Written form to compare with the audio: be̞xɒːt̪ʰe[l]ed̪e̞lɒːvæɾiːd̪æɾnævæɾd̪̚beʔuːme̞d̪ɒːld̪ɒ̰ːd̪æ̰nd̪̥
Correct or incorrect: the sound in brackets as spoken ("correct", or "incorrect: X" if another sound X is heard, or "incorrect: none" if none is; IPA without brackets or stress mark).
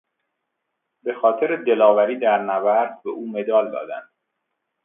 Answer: incorrect: ɾ